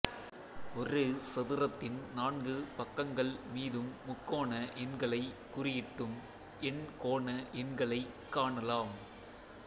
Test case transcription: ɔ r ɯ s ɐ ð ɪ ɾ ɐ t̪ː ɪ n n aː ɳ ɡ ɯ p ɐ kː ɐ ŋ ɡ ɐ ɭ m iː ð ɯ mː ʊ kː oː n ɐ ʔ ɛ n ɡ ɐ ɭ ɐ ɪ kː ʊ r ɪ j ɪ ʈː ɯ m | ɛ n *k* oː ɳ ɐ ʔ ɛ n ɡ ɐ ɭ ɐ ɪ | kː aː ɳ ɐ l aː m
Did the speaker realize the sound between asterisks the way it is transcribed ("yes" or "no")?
yes